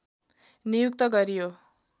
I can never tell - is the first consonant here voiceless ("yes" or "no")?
no